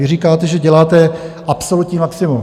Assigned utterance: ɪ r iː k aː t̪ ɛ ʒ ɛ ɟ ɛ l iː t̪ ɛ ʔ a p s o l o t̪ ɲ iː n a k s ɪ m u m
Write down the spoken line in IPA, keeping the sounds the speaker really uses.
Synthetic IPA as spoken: ɪ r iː k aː t̪ ɛ ʒ ɛ ɟ ɛ l aː t̪ ɛ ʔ a p s o l u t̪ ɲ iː m a k s ɪ m u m